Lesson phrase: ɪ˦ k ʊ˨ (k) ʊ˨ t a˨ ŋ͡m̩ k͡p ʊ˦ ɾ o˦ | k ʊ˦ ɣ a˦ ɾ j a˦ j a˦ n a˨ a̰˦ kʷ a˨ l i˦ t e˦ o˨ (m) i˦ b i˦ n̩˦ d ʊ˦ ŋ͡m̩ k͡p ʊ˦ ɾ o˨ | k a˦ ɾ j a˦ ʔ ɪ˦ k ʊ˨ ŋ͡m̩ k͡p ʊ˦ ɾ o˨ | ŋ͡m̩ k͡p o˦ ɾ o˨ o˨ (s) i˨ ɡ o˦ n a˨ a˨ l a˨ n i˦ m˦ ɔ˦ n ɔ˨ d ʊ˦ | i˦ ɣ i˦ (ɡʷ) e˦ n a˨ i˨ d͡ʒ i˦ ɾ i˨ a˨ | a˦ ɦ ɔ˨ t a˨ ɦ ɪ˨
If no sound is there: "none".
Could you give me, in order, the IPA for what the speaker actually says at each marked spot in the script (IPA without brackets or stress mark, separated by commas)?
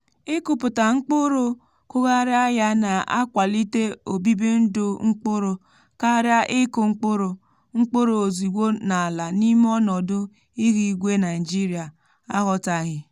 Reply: p, b, z, ɡʷ